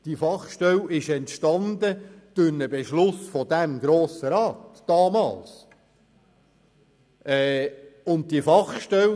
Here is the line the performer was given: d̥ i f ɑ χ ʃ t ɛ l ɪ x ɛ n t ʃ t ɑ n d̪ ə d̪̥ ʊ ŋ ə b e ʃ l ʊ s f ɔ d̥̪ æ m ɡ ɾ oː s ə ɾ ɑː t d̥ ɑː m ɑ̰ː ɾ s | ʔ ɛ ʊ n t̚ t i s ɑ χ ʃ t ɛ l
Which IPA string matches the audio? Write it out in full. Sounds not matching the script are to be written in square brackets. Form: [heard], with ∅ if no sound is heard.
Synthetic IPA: d̥ i f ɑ χ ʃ t ɛ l ɪ [ʃ] ɛ n t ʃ t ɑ n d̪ ə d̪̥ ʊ [n] ə b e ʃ l ʊ s f ɔ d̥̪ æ m ɡ ɾ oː s ə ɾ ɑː t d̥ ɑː m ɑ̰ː [l] s | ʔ ɛ ʊ n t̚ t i [f] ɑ χ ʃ t ɛ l